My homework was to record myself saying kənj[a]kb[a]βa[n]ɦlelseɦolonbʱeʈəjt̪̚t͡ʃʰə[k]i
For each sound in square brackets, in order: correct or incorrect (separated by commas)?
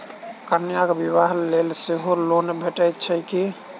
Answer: correct, incorrect, incorrect, correct